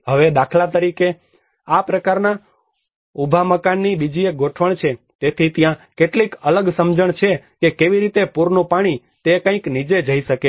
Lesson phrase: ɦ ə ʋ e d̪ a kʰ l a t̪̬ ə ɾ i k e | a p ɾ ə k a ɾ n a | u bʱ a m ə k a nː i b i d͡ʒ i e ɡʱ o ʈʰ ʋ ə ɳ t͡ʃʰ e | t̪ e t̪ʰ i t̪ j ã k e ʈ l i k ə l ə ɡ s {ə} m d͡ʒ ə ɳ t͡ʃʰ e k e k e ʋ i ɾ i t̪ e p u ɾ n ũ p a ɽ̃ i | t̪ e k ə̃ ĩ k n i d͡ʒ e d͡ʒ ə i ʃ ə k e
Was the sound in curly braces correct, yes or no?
yes